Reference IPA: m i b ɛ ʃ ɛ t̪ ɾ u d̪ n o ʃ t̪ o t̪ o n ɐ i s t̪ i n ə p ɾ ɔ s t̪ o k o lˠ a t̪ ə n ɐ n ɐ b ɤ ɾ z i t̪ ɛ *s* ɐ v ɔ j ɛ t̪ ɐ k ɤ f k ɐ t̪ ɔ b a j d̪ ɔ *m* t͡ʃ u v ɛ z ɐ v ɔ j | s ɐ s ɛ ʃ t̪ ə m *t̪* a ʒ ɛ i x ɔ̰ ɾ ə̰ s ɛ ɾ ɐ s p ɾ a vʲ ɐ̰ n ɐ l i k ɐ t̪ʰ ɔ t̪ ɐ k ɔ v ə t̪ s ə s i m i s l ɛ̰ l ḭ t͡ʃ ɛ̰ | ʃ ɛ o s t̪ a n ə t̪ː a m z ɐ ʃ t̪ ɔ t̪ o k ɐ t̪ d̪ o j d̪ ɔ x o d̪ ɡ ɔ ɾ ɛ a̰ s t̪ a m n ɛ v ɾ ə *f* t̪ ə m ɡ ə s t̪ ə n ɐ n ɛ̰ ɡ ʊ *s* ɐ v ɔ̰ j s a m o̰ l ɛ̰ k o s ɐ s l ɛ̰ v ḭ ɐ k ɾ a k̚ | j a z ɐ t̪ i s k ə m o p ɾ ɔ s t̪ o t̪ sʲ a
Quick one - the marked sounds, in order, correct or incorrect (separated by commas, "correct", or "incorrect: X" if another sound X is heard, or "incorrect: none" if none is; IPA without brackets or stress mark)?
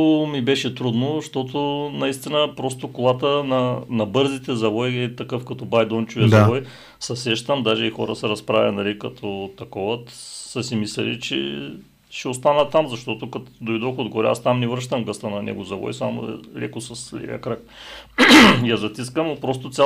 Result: incorrect: z, incorrect: n, incorrect: d̪, incorrect: ʃ, incorrect: z